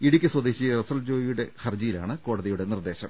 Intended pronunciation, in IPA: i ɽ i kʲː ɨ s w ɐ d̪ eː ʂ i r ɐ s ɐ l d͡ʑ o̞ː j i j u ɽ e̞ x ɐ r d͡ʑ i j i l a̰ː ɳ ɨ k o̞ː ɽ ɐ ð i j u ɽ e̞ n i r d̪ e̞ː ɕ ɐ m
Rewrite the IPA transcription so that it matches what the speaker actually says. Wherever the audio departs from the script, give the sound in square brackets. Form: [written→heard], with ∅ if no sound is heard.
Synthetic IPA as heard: i ɽ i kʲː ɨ s w ɐ d̪ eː [ʂ→ɕ] i r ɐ s ɐ l d͡ʑ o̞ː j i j u ɽ e̞ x ɐ r d͡ʑ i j i l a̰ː ɳ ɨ k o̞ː ɽ ɐ ð i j u ɽ e̞ n i r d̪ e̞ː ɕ ɐ m